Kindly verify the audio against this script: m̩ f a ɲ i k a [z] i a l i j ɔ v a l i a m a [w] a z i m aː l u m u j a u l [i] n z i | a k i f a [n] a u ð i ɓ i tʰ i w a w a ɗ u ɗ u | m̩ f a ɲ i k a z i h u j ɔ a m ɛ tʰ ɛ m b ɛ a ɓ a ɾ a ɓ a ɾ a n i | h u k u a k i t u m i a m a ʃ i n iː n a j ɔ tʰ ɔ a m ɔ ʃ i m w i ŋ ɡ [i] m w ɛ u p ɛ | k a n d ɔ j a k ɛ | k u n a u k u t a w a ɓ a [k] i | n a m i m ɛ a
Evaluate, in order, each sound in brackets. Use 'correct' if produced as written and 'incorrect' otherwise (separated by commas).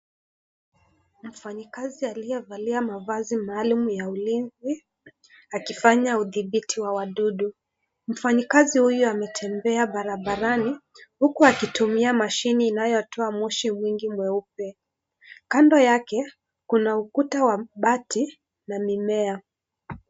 correct, incorrect, correct, incorrect, correct, incorrect